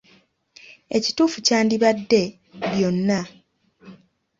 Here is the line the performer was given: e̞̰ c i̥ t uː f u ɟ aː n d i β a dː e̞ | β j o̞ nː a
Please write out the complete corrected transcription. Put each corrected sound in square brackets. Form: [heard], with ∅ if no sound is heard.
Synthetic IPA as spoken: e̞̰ c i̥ t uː f u [c] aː n d i β a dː e̞ | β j o̞ nː a

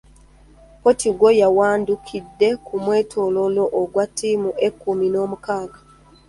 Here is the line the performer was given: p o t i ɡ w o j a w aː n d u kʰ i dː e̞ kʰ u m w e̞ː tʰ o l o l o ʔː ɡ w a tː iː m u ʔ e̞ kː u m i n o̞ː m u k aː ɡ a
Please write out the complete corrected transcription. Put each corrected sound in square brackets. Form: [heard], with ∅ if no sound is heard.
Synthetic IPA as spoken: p o t i ɡ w o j a w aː n d u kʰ i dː e̞ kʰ u m w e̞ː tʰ o l o l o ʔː ɡ w a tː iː m u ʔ e̞ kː u m i n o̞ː m u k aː ɡ a

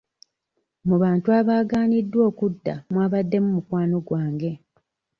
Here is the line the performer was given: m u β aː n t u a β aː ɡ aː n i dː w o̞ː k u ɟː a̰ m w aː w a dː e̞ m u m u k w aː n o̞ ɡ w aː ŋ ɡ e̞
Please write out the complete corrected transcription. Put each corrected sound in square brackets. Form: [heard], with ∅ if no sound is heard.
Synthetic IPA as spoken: m u β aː n t u a β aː ɡ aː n i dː w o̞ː k u [dː] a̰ m w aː [β] a dː e̞ m u m u k w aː n o̞ ɡ w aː ŋ ɡ e̞

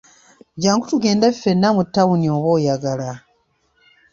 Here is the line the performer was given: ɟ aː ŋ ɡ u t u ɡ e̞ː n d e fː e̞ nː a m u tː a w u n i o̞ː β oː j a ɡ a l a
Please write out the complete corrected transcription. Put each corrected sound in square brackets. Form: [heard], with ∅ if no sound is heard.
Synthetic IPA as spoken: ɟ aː ŋ ɡ u t u ɡ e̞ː n d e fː e̞ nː a m u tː a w u n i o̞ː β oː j a ɡ a l a

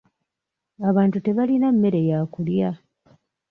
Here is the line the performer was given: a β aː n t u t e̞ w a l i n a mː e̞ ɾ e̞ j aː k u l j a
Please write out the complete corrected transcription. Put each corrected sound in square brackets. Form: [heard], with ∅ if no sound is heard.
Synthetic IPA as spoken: a β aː n t u t e̞ [β] a l i n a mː e̞ ɾ e̞ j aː k u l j a

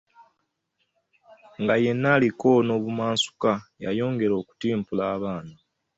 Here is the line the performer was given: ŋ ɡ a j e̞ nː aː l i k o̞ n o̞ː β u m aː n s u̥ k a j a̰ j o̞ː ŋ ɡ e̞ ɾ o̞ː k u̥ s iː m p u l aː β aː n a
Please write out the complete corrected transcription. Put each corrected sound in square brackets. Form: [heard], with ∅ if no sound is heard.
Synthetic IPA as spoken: ŋ ɡ a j e̞ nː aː l i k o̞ n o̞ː β u m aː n s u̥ k a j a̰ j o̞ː ŋ ɡ e̞ ɾ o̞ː k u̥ [t] iː m p u l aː β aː n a

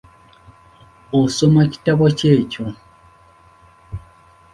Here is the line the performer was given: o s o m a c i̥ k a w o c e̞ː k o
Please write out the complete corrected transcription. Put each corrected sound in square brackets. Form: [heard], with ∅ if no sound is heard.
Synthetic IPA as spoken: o s o m a c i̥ [t] a [β] o c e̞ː [c] o

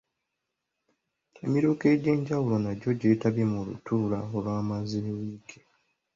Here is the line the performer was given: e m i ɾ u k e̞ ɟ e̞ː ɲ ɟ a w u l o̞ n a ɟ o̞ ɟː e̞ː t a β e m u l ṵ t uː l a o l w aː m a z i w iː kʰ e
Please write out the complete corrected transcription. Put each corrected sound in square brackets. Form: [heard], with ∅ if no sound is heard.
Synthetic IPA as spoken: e m i ɾ u k e̞ ɟ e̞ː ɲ ɟ a w u l o̞ n a ɟ o̞ [ɟ] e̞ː t a β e m u l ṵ t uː l a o l w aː m a z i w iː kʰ e

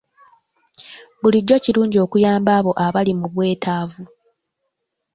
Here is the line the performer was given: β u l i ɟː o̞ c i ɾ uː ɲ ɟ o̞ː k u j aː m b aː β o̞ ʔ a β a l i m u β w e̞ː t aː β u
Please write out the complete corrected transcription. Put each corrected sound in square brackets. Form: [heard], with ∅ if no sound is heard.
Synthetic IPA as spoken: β u l i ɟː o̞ c i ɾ uː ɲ ɟ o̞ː k u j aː m b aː β o̞ ʔ a β a l i m u β w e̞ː t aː [v] u

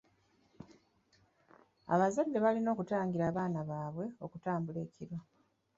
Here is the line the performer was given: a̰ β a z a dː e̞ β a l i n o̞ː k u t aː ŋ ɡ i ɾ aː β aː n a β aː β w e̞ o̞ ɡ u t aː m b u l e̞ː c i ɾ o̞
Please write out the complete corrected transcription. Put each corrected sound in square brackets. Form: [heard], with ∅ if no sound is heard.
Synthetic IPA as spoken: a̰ β a z a dː e̞ β a l i n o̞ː k u t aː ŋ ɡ i ɾ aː β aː n a β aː β w e̞ o̞ [k] u t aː m b u l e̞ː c i ɾ o̞

